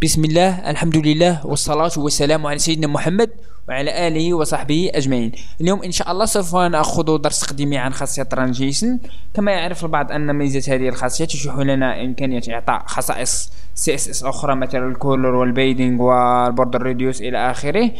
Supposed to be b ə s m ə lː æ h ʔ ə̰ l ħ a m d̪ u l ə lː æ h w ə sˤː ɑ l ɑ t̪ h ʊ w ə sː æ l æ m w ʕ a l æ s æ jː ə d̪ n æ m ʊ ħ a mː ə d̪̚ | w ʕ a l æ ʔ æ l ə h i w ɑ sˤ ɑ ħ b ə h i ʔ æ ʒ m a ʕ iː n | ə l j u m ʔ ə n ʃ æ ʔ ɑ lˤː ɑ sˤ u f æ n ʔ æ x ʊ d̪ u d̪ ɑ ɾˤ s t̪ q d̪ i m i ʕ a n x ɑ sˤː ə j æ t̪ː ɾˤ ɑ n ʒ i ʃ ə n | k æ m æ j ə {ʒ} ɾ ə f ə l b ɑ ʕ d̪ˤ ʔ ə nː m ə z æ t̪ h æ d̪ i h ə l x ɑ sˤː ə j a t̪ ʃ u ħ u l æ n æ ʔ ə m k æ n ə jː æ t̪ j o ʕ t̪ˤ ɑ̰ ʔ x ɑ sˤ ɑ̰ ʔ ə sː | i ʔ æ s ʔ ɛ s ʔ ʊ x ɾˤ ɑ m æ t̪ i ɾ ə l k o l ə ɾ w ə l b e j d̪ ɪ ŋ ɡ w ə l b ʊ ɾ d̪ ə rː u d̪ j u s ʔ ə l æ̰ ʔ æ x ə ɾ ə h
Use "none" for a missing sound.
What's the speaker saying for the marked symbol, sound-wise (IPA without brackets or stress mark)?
ʕ